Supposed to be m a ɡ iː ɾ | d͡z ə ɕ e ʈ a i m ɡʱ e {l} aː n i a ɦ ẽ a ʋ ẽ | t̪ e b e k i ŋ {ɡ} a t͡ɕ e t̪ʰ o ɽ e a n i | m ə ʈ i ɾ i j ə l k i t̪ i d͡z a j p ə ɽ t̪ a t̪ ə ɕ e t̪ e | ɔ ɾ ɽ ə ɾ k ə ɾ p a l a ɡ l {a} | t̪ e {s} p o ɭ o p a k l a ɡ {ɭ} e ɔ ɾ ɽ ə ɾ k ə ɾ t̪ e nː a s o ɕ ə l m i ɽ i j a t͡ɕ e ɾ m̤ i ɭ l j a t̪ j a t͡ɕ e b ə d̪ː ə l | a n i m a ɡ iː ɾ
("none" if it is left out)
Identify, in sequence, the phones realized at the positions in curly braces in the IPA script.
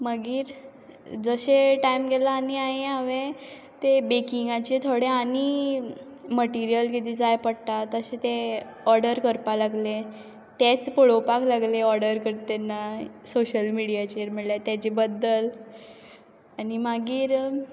l, ɡ, e, t͡s, l

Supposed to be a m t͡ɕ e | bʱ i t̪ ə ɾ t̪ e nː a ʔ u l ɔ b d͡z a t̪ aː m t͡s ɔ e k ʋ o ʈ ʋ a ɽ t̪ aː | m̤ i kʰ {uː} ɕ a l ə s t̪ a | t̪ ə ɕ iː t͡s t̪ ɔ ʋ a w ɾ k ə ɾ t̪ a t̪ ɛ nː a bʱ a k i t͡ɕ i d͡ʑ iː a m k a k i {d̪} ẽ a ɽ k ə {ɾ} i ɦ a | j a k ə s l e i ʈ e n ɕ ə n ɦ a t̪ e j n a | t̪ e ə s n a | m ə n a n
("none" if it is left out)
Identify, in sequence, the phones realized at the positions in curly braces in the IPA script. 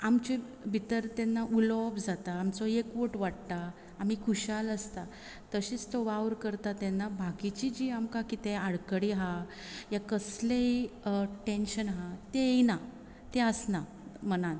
u, t̪, ɽ

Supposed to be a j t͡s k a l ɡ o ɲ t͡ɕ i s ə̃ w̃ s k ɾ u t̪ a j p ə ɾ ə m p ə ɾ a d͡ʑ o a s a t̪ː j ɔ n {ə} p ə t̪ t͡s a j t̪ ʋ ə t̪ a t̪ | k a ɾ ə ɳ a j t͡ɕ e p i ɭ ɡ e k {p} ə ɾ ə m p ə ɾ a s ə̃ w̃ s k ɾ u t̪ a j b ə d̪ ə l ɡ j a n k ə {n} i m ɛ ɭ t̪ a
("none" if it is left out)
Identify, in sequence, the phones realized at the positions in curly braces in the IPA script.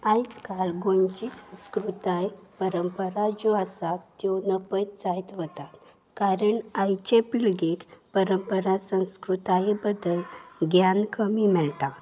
ə, p, m

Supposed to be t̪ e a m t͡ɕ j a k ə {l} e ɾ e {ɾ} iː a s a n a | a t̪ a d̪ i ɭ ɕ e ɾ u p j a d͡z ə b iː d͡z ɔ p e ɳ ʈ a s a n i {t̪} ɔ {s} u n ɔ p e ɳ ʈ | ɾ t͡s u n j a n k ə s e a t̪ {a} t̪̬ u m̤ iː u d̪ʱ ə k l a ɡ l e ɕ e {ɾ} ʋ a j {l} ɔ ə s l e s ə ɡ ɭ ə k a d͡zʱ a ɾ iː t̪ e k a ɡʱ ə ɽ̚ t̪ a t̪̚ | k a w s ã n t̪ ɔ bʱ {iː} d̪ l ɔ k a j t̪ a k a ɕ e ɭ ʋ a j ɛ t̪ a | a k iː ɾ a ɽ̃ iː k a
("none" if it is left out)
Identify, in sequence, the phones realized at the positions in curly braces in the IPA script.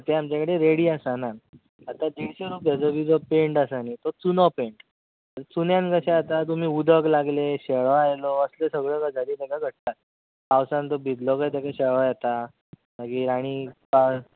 ɽ, ɽ, t̪, t͡s, a, ɭ, l, i

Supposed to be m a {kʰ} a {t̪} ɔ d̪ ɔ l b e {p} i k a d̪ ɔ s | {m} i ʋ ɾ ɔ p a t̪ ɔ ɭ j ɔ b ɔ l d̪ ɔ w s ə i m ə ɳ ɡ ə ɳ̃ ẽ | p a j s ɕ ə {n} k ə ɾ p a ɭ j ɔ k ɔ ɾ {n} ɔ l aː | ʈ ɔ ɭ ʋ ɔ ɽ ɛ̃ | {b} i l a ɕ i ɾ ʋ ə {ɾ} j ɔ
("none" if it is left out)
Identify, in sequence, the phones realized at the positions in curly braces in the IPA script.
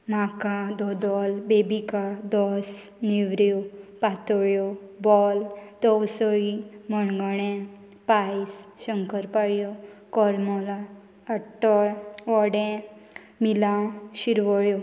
k, d̪, b, n, ŋ, m, m, ɭ

